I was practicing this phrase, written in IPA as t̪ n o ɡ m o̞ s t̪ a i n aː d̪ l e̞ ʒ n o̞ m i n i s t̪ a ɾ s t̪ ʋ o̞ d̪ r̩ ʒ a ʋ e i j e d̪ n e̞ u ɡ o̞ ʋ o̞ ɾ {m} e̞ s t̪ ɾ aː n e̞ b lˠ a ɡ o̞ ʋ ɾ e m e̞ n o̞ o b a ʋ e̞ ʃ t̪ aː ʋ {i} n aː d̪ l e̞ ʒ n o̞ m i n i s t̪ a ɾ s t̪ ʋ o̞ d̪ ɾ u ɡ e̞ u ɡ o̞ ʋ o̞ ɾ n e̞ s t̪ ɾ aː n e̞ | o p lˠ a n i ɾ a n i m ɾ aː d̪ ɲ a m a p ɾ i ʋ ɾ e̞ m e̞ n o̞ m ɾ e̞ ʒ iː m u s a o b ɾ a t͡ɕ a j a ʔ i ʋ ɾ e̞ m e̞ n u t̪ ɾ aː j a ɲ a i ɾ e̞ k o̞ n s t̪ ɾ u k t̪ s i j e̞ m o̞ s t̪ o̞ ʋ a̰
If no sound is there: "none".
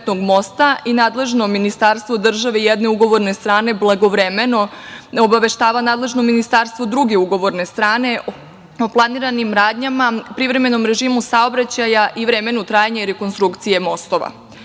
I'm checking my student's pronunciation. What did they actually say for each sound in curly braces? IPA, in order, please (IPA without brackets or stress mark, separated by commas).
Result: n, a